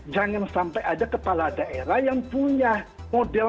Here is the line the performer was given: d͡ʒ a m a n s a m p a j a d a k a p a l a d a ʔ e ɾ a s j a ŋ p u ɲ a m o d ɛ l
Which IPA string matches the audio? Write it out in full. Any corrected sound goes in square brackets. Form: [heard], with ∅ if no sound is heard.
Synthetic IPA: d͡ʒ a [ŋ] a n s a m p a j a d a k [ə] p a l a d a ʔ e ɾ a [h] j a ŋ p u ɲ a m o d ɛ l